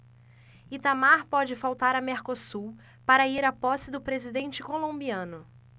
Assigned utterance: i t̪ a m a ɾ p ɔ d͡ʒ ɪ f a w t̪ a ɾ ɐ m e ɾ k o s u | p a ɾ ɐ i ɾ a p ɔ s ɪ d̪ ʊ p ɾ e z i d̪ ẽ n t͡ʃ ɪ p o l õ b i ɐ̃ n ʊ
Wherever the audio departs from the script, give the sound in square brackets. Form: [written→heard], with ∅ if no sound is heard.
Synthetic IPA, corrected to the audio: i t̪ a m a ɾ p ɔ d͡ʒ ɪ f a w t̪ a ɾ ɐ m e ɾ k o s u | p a ɾ ɐ i ɾ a p ɔ s ɪ d̪ ʊ p ɾ e z i d̪ ẽ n t͡ʃ ɪ [p→k] o l õ b i ɐ̃ n ʊ